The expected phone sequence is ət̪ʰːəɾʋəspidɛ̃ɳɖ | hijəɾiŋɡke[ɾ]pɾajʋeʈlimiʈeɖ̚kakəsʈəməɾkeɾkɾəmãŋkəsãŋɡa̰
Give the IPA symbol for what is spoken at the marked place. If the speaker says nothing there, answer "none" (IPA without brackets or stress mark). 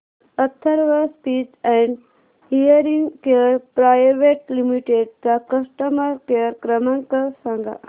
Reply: ɾ